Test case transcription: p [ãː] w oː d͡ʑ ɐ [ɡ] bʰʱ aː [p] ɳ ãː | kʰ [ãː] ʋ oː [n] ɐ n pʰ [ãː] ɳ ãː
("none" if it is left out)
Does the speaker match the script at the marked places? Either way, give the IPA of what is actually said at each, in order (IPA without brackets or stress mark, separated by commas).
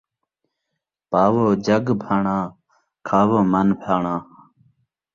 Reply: aː, ɡ, none, aː, m, aː